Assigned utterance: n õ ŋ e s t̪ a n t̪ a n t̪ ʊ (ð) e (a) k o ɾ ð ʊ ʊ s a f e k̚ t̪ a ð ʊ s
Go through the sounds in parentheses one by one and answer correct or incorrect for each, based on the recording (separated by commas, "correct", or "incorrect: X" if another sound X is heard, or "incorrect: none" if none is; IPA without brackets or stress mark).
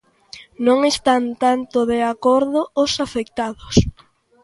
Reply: correct, correct